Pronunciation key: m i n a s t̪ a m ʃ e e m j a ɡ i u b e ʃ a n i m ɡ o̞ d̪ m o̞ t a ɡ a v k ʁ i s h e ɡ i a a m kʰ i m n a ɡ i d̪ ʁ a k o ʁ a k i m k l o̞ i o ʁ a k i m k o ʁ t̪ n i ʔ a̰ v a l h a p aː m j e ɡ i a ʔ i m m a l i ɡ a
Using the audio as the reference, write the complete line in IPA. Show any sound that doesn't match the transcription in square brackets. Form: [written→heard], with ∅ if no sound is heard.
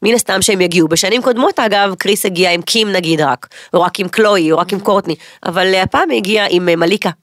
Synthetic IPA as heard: m i n a s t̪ a m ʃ e e m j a ɡ i u b e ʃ a n i m [ɡ→k] o̞ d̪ m o̞ t a ɡ a v k ʁ i s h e ɡ i a [a→i] m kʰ i m n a ɡ i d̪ ʁ a k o ʁ a k i m k l o̞ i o ʁ a k i m k o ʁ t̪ n i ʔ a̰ v a l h a p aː m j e ɡ i a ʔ i m m a l i [ɡ→k] a